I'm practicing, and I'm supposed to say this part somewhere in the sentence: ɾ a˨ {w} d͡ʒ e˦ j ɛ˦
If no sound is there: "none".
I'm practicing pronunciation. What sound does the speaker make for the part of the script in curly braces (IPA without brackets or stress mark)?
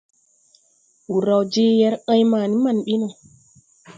w